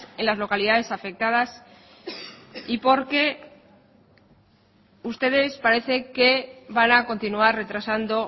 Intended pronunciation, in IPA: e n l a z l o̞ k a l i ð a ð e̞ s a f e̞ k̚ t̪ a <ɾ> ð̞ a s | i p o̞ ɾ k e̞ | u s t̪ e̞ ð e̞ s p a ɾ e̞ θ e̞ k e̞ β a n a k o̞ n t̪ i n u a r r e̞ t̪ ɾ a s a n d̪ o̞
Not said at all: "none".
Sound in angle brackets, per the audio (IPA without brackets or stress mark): none